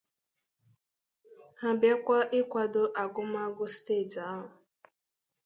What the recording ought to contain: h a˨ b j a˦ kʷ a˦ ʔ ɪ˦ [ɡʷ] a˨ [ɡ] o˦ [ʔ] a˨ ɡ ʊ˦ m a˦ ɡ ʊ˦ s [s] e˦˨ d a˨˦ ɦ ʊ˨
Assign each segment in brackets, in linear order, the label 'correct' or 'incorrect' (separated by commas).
incorrect, incorrect, correct, incorrect